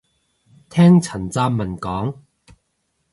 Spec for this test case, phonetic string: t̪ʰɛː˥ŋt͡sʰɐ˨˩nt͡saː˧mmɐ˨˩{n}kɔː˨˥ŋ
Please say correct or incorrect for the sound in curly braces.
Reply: correct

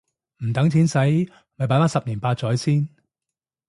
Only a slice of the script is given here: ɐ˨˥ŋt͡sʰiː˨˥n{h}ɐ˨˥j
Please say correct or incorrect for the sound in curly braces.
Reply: incorrect: s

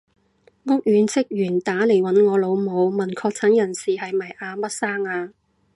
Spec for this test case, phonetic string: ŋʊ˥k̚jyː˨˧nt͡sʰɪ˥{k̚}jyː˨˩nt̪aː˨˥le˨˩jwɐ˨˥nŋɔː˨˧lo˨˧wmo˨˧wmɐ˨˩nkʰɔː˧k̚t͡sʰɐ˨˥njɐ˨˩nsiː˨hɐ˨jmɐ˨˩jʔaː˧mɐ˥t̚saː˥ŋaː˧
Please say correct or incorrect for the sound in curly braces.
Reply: correct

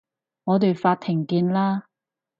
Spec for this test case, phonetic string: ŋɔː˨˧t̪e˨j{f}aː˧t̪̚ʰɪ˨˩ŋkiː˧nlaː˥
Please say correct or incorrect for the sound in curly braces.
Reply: correct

